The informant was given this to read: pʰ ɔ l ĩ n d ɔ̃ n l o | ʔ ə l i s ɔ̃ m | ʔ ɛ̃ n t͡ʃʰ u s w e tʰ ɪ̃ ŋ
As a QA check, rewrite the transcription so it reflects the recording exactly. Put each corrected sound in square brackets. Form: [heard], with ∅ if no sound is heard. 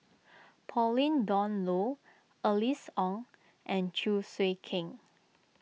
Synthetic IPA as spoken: pʰ ɔ l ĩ n d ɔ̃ n l o | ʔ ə l i s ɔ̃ [ŋ] | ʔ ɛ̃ n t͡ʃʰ u s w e [kʰ] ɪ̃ ŋ